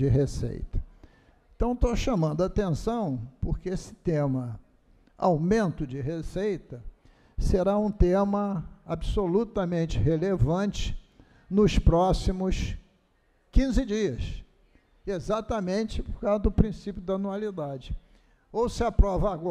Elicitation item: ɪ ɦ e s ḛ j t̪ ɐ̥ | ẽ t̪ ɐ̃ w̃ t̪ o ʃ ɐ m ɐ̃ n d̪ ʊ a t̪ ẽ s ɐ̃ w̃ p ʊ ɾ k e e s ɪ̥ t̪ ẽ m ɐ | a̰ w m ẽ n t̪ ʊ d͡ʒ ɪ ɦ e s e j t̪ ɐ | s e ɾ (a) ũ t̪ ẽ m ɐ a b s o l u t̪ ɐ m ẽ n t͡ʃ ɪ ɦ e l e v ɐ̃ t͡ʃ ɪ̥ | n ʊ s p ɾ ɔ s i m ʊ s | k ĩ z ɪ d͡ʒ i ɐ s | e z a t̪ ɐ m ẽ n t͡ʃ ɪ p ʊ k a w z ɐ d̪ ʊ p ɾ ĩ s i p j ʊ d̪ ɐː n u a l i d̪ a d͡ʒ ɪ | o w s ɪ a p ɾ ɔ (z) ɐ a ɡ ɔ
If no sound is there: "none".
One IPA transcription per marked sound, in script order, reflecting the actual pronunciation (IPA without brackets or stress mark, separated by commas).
a, v